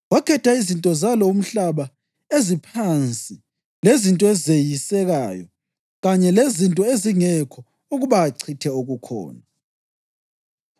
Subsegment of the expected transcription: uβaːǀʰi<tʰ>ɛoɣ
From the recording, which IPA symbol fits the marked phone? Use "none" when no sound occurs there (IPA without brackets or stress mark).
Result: tʰ